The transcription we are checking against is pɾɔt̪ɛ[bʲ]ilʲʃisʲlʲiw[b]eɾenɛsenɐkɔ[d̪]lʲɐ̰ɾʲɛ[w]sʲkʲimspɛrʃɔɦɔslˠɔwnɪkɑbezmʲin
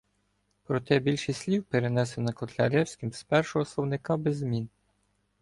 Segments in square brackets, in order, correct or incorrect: correct, incorrect: p, incorrect: t̪, correct

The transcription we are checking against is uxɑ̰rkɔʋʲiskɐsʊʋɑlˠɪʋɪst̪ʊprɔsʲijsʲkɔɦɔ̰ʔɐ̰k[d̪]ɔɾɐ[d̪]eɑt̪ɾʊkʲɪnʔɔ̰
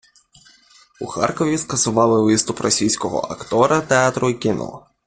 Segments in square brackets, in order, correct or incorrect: incorrect: t̪, incorrect: t̪

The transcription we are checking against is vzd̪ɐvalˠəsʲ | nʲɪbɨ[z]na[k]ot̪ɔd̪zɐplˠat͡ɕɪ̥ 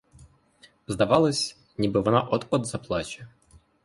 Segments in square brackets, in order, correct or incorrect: incorrect: v, incorrect: ʔ

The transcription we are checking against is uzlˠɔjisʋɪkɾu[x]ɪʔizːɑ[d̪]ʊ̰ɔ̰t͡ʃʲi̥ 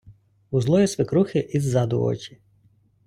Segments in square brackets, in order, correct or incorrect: correct, correct

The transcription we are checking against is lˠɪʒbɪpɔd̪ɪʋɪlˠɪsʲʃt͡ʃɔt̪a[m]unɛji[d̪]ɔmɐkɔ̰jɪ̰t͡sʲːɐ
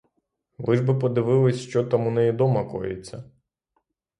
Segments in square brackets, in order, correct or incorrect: correct, correct

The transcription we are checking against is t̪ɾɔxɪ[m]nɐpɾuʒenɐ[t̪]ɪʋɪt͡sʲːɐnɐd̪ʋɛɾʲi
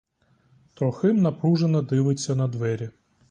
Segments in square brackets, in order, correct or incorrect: correct, incorrect: d̪

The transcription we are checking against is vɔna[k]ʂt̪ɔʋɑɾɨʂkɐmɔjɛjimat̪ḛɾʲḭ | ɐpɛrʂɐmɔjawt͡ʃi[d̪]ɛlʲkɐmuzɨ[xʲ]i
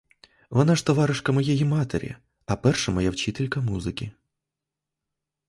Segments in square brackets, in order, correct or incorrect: incorrect: none, incorrect: t̪, incorrect: kʲ

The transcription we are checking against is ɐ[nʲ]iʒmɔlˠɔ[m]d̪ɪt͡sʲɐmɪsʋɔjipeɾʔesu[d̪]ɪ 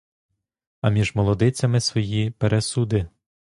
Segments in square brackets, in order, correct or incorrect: incorrect: mʲ, incorrect: none, correct

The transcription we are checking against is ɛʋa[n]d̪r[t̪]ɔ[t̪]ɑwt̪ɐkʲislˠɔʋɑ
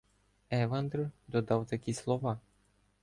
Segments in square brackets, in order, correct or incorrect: correct, incorrect: d̪, incorrect: d̪

